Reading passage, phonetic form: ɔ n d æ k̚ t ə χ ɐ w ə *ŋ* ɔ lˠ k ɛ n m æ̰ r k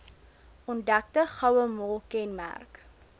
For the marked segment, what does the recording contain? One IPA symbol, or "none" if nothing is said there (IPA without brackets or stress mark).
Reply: m